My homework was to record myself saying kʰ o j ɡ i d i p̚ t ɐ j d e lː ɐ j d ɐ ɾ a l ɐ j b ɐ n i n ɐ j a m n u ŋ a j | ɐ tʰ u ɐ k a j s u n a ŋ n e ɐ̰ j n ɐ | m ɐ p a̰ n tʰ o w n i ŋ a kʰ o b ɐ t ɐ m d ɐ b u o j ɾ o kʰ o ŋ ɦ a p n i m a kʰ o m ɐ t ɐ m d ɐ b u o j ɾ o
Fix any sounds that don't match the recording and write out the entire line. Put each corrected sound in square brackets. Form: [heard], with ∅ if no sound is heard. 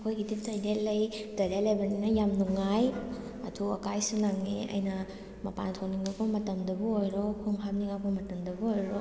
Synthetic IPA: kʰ o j ɡ i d i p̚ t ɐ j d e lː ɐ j d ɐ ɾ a l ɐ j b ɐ n i n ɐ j a m n u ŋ a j | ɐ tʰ u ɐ k a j s u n a ŋ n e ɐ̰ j n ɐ | m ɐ p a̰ n tʰ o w n i ŋ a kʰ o [m] ɐ t ɐ m d ɐ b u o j ɾ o kʰ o ŋ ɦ a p n i [ŋ] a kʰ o m ɐ t ɐ m d ɐ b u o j ɾ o